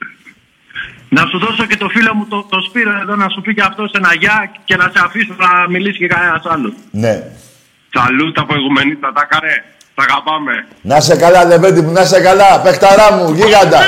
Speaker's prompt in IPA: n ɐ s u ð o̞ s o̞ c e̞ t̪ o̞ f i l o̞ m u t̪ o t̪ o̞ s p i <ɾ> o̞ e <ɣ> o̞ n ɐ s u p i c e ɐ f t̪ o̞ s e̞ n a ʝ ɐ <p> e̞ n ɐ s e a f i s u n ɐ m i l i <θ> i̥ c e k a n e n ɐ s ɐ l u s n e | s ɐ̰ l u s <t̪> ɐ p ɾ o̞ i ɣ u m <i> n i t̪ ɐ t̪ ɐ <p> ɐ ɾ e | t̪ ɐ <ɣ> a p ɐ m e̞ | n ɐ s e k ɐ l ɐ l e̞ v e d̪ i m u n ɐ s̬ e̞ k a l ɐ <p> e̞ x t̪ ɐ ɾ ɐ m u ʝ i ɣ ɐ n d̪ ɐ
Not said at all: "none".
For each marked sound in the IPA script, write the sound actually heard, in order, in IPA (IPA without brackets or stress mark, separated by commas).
ɾ, ð, c, s, t̪, e, k, ɣ, p